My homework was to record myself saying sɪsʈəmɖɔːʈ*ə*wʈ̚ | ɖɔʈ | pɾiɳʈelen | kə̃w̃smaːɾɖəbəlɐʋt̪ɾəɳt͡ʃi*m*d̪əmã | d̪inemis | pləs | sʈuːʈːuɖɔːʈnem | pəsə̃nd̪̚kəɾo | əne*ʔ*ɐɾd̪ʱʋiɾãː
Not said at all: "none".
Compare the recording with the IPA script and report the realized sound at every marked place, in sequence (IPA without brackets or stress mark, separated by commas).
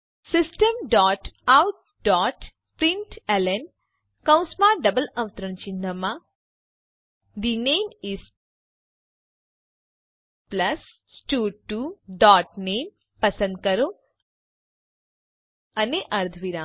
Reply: a, n, ʔ